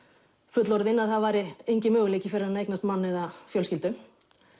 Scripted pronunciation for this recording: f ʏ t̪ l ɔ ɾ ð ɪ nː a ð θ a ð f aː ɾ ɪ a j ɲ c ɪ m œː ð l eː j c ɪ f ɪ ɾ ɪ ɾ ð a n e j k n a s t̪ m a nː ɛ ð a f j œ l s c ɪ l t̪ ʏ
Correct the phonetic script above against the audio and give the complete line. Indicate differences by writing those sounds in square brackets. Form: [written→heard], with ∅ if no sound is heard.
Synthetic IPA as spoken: f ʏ t̪ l ɔ ɾ ð ɪ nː a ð θ a ð [f→v] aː ɾ ɪ [a→e] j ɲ c ɪ m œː [ð→ɣ] l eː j c ɪ f ɪ ɾ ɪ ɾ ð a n e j k n a s t̪ m a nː ɛ ð a f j œ l s c ɪ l t̪ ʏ